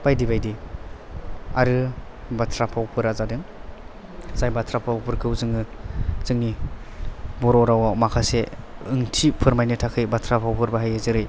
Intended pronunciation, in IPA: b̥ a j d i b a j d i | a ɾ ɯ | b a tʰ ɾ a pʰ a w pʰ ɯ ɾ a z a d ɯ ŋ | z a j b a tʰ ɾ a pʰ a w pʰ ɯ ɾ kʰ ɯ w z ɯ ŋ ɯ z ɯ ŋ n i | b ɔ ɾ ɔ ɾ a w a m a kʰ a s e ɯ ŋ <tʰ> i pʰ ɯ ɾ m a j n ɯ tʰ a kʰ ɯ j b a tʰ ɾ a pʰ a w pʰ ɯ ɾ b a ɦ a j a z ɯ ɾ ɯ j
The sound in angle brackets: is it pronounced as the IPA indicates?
yes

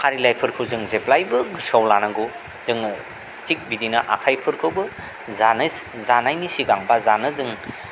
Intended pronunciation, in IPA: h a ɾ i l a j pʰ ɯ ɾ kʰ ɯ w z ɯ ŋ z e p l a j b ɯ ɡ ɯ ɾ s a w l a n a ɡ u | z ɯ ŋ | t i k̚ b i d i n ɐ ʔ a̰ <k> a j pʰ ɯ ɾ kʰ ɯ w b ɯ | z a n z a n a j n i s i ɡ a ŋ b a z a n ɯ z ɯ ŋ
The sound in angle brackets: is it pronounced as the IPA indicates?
no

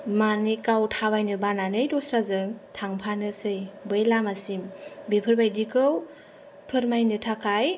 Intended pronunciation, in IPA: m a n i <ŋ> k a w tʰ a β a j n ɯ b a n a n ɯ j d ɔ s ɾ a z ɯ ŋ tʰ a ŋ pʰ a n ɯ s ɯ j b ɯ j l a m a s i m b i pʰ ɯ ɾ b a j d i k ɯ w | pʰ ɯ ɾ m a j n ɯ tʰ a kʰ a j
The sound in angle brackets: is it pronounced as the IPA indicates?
no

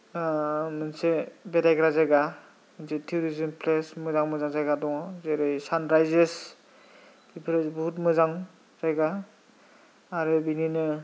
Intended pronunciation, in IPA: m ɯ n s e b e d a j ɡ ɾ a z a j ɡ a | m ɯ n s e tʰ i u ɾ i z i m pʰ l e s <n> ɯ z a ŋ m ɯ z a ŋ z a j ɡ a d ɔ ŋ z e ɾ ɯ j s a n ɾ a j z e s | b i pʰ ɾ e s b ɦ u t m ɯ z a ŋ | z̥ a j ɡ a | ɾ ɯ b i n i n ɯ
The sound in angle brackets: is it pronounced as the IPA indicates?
no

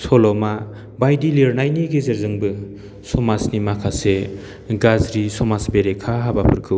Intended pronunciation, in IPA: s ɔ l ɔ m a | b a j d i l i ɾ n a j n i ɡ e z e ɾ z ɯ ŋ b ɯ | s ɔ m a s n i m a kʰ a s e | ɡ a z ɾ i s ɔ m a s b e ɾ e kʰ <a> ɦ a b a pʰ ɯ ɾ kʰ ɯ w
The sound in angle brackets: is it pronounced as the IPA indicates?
yes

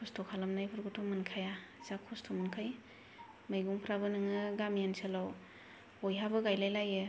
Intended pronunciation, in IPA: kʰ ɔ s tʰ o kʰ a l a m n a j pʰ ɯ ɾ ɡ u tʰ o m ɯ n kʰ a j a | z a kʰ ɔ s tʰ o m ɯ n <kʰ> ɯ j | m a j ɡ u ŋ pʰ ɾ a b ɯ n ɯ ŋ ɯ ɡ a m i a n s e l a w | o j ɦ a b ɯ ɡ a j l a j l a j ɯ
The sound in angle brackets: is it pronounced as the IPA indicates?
yes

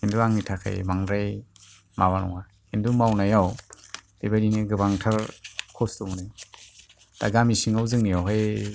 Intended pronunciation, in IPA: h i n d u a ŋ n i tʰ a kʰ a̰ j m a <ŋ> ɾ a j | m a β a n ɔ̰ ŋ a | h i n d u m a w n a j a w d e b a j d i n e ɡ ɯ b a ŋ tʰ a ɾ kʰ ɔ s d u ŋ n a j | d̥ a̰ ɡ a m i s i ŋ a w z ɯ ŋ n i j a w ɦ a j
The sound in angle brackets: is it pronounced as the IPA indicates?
yes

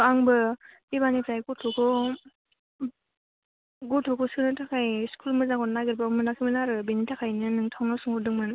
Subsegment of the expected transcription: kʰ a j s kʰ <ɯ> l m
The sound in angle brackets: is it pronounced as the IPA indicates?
no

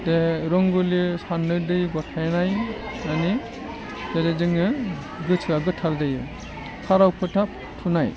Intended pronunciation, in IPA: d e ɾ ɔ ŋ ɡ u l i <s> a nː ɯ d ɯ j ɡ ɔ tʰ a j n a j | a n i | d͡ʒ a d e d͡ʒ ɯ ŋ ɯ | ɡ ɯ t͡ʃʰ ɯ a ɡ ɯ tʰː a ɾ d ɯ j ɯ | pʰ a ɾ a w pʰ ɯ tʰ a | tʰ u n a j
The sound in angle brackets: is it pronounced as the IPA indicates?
yes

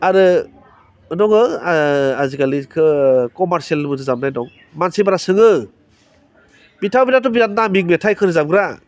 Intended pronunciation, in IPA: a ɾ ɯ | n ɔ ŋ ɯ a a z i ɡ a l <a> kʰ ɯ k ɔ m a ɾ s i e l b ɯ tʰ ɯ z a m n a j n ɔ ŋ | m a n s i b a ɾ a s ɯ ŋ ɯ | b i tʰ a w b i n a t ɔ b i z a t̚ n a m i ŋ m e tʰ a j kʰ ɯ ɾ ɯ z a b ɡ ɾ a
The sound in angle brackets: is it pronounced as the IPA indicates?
no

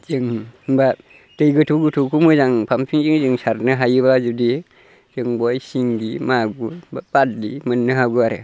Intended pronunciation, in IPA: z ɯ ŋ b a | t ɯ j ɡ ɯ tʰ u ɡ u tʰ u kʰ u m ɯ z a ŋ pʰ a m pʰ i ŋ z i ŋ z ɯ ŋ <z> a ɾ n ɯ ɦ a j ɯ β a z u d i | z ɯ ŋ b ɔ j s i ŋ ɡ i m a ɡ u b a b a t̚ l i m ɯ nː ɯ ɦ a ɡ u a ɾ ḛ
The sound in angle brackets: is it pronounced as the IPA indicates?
no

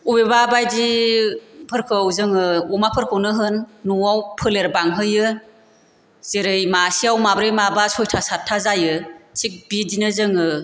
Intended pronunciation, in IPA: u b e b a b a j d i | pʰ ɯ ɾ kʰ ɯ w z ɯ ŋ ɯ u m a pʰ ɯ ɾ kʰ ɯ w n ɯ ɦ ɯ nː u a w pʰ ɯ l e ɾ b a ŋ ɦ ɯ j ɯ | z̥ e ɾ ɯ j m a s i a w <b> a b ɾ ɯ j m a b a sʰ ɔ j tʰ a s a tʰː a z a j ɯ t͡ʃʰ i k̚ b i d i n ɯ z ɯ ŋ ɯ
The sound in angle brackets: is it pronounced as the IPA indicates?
no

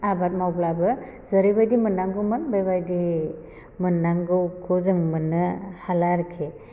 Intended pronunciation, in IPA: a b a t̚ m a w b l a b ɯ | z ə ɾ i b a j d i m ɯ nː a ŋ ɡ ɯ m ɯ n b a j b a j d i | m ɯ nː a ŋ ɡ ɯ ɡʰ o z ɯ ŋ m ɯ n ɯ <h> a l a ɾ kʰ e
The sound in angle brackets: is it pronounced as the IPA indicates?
yes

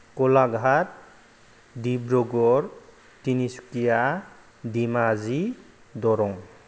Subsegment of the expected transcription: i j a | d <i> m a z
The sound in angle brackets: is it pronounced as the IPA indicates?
yes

